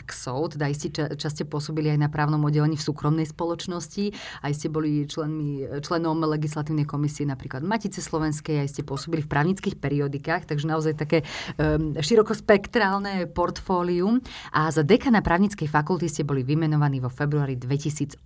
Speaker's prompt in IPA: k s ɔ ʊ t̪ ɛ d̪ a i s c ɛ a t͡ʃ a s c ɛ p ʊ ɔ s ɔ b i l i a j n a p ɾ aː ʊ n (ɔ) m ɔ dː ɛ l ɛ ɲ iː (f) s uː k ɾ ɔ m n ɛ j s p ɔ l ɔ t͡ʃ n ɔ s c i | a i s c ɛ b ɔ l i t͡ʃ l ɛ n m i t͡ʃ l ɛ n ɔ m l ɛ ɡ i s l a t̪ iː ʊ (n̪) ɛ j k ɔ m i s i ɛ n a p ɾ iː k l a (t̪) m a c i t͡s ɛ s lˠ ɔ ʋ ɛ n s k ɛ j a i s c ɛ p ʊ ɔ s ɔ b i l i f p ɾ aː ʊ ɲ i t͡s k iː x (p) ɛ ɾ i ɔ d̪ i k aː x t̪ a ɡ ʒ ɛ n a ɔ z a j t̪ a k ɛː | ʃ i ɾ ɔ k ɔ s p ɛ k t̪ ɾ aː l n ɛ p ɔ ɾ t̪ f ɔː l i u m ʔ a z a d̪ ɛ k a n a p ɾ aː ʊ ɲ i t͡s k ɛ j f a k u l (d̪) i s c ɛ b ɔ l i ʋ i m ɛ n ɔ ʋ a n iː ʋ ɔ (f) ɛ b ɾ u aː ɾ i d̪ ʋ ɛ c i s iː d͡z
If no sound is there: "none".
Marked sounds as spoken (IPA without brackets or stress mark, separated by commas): ɔ, f, n̪, d̪, p, t̪, f